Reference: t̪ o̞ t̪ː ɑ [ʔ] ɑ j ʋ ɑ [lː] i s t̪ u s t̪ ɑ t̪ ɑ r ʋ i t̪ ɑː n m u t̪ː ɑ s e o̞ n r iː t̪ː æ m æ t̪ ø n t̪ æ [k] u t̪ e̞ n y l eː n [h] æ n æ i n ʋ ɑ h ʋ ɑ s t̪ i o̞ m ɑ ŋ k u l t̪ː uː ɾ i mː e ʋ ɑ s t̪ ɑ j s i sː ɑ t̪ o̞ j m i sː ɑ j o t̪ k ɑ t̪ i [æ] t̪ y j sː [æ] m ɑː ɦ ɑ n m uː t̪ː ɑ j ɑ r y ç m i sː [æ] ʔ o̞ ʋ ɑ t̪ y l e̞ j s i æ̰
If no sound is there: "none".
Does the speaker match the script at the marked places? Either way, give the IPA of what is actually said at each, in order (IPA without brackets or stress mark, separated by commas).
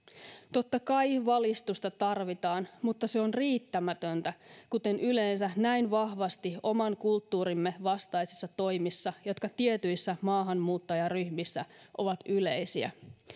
k, l, k, s, e, æ, æ